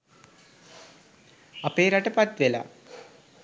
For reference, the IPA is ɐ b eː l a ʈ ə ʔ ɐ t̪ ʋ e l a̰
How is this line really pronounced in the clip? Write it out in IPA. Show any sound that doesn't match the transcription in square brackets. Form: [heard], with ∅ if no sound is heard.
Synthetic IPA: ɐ [p] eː [ɾ] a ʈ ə [p] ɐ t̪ ʋ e l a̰